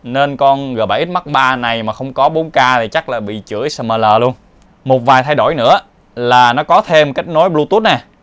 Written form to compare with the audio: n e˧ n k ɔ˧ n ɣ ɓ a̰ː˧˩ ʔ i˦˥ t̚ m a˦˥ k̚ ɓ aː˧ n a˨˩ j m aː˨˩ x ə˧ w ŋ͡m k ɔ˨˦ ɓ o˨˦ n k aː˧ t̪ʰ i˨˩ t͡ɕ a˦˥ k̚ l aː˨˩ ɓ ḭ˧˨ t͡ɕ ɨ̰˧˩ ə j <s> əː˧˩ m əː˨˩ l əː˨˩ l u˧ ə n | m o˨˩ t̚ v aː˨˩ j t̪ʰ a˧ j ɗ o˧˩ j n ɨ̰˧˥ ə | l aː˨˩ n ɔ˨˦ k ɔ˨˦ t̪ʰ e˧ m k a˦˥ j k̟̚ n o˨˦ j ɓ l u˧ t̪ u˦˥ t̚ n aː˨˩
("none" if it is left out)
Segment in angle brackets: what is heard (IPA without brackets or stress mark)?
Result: s